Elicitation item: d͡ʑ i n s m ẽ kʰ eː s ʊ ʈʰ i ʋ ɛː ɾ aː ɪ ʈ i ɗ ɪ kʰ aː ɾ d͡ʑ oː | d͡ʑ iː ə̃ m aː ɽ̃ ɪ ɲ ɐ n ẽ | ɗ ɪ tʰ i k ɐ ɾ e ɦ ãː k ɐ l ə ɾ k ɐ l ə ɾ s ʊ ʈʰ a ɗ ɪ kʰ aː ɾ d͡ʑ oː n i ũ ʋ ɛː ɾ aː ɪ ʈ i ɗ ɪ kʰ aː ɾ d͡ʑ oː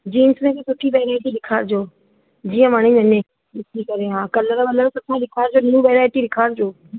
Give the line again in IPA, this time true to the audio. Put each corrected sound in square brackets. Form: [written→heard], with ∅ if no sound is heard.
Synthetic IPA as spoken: d͡ʑ [i→iː] n s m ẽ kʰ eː s ʊ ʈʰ i ʋ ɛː ɾ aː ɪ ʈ i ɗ ɪ kʰ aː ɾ d͡ʑ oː | d͡ʑ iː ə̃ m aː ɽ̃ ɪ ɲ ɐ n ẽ | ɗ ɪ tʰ i k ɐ ɾ e ɦ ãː k ɐ l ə ɾ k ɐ l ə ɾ s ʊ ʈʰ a ɗ ɪ kʰ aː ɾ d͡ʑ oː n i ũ ʋ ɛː ɾ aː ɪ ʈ i ɗ ɪ kʰ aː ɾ d͡ʑ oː